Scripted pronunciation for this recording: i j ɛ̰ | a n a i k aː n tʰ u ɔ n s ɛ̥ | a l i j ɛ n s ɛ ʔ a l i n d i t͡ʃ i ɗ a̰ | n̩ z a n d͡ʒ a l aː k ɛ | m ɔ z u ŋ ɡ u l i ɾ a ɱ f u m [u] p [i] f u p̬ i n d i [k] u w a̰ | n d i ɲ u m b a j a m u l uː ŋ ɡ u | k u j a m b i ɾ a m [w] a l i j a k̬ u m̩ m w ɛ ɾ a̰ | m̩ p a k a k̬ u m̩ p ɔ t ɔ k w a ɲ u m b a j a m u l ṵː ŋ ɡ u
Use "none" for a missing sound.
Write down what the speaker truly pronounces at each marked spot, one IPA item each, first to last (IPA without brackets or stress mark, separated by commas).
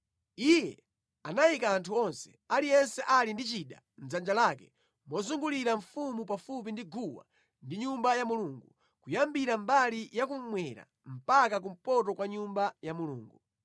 u, a, ɡ, b